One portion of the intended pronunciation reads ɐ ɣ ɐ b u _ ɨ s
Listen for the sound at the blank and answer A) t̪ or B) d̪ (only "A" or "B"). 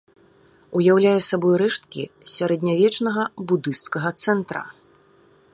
B